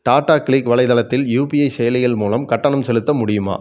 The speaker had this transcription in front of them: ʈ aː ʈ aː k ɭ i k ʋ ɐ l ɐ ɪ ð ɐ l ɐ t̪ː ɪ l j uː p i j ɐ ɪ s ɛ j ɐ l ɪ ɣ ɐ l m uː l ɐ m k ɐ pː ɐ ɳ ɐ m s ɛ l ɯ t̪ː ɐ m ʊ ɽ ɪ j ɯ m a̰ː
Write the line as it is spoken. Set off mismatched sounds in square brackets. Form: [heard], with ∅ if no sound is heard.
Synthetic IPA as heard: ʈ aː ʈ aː k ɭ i k ʋ ɐ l ɐ ɪ ð ɐ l ɐ t̪ː ɪ l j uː p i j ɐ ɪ s ɛ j ɐ l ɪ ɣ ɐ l m uː l ɐ m k ɐ [ʈː] ɐ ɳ ɐ m s ɛ l ɯ t̪ː ɐ m ʊ ɽ ɪ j ɯ m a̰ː

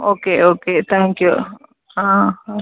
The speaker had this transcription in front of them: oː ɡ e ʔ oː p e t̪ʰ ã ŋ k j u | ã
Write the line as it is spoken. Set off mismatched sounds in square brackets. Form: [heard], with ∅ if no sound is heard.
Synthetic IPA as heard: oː [k] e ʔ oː [k] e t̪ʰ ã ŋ k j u | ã

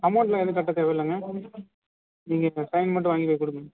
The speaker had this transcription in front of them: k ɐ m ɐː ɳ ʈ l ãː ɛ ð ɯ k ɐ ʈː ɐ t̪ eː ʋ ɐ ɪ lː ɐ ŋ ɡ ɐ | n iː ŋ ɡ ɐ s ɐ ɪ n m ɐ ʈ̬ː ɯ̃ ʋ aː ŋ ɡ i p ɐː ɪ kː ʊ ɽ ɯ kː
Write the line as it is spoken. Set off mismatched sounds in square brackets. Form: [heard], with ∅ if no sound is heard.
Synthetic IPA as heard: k ɐ m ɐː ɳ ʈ l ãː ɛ ð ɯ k ɐ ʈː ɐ t̪ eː ʋ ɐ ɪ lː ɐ ŋ ɡ ɐ | n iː ŋ ɡ ɐ s ɐ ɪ n m ɐ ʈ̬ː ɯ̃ ʋ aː ŋ ɡ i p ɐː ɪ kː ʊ ɽ ɯ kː

